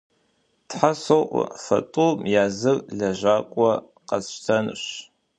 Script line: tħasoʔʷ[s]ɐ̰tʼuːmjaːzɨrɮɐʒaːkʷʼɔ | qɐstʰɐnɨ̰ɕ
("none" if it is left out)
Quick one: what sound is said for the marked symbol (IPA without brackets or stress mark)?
f